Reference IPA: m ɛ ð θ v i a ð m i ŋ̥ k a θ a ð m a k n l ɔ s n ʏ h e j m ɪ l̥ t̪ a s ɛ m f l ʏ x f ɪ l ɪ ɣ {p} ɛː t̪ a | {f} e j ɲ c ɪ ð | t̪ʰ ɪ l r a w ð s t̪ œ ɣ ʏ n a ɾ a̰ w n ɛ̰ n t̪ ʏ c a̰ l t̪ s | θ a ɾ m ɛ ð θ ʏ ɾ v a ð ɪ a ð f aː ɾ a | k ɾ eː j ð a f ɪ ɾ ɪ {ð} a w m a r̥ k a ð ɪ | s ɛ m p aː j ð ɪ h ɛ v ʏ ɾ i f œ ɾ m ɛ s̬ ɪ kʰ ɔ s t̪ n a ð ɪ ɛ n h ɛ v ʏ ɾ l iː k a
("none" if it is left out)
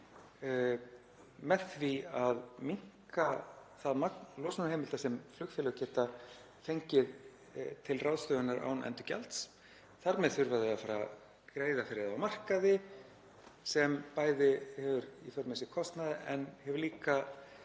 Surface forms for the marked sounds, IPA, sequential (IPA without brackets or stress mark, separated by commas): c, f, ð